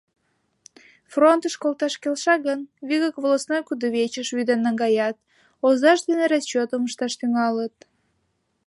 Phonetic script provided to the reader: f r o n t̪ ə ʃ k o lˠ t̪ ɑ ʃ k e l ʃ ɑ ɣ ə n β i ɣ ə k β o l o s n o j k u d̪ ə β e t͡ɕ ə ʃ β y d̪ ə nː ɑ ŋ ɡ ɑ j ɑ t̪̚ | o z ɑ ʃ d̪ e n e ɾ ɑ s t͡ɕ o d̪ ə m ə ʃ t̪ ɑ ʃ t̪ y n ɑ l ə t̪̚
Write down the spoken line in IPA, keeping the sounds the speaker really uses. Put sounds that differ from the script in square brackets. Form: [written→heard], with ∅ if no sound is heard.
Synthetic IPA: f r o n t̪ ə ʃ k o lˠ t̪ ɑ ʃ k e l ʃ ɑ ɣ ə n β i ɣ ə k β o l o s n o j k u d̪ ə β e t͡ɕ ə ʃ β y d̪ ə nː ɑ ŋ ɡ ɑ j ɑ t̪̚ | o z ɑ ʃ d̪ e n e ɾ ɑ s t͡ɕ o [d̪→t̪] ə m ə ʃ t̪ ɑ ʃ t̪ y [n→ŋ] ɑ l ə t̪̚